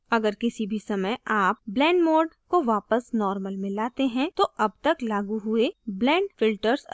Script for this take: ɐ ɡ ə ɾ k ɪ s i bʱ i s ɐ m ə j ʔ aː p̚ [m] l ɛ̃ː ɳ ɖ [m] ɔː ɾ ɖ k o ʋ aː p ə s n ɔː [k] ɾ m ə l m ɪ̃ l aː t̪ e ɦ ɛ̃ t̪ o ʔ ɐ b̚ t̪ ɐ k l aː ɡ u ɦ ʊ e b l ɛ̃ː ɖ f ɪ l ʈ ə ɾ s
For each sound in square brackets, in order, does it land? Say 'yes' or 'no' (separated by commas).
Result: no, yes, no